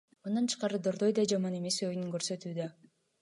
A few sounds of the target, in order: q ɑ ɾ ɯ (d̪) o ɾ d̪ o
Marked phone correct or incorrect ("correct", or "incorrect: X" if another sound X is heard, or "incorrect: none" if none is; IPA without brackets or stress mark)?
correct